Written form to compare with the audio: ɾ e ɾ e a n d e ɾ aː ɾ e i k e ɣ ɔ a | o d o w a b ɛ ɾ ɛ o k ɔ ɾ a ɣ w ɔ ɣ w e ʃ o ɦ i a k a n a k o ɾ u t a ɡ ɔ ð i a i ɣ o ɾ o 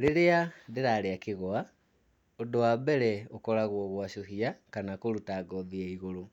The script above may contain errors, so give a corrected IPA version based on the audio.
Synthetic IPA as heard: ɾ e ɾ e a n d e ɾ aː ɾ e a k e ɣ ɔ a | o d o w a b ɛ ɾ ɛ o k ɔ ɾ a ɣ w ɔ ɣ w a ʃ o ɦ i a k a n a k o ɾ u t a ɡ ɔ ð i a i ɣ o ɾ o